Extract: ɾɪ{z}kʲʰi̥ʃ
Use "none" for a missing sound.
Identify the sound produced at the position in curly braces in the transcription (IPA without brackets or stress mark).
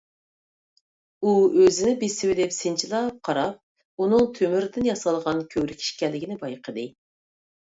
none